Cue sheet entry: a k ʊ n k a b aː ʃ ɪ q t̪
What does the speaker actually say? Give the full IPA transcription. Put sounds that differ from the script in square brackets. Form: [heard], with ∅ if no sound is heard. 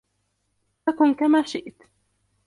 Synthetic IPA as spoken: a k ʊ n k a [m] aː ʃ ɪ [ʔ] t̪